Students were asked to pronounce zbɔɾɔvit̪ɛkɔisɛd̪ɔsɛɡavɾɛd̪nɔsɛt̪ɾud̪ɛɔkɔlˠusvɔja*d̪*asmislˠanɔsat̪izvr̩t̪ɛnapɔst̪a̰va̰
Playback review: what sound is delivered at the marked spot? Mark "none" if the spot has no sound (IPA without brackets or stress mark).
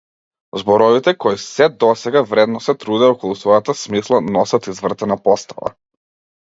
t̪